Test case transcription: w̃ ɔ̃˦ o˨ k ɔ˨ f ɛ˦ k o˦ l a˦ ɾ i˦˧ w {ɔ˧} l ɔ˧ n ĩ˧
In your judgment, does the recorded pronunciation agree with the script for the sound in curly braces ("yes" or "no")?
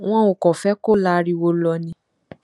no